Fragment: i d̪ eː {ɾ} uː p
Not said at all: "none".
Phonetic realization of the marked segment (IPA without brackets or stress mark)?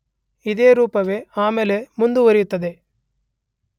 ɾ